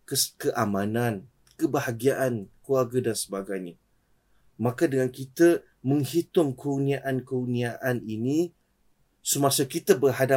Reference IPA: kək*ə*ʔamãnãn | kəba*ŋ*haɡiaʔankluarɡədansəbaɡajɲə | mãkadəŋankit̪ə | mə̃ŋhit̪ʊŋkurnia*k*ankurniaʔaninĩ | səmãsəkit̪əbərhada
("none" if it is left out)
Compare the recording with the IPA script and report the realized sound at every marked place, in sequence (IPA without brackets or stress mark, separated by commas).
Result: ə, none, ʔ